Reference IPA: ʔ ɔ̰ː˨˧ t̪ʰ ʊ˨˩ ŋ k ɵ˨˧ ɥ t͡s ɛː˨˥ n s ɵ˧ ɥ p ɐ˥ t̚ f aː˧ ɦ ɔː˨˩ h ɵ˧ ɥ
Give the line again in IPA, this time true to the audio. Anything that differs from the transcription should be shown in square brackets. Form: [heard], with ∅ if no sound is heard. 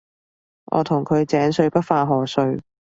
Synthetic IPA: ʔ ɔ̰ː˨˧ t̪ʰ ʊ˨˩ ŋ [kʰ] ɵ˨˧ ɥ t͡s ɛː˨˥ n s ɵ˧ ɥ p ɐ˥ t̚ f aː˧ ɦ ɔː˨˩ [s] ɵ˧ ɥ